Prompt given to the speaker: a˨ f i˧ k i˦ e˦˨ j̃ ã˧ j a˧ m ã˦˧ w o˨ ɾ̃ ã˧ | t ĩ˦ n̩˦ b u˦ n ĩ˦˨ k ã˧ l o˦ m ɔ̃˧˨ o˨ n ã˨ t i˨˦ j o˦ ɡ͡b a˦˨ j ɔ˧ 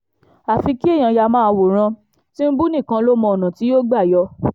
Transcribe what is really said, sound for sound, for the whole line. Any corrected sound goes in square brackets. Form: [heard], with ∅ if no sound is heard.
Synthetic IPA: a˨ f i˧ k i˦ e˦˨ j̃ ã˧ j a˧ m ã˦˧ w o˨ ɾ̃ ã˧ | t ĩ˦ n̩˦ b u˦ n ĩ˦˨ k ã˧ l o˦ m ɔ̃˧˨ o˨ n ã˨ t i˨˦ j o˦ ɡ͡b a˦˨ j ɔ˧